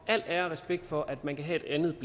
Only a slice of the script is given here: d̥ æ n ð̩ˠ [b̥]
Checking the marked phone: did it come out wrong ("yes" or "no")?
no